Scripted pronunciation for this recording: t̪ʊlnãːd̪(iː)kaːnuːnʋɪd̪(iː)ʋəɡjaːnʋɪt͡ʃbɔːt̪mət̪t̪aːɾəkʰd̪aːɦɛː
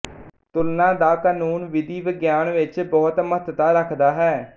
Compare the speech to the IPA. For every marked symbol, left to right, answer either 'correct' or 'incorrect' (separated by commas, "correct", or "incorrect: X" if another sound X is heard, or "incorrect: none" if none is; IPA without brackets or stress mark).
incorrect: aː, correct